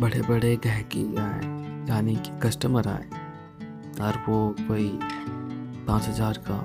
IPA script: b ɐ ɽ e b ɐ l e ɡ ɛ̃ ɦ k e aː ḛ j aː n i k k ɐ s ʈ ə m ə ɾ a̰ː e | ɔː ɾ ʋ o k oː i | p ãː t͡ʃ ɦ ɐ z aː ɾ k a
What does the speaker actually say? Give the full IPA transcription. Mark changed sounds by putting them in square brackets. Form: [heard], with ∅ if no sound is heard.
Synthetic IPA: b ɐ ɽ e b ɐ [ɽ] e ɡ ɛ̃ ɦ k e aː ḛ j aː n i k k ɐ s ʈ ə m ə ɾ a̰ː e | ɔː ɾ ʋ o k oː i | p ãː t͡ʃ ɦ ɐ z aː ɾ k a